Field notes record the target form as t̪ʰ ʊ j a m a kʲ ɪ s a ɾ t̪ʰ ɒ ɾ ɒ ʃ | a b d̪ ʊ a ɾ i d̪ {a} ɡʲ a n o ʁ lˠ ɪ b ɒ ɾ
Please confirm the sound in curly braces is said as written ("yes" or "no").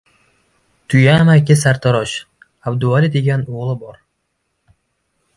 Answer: no